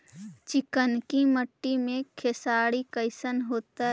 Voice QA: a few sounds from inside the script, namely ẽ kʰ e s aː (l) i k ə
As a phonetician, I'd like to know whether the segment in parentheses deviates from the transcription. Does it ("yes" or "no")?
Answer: yes